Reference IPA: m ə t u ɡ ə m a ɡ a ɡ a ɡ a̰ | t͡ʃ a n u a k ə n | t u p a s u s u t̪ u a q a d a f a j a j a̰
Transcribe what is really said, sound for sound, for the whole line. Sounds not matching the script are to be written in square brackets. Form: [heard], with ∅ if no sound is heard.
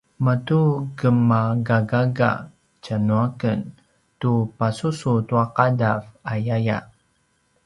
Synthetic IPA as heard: m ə t u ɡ ə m a ɡ a ɡ a ɡ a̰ | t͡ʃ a n u a k ə n | t u p a s u s u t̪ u a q a d a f a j a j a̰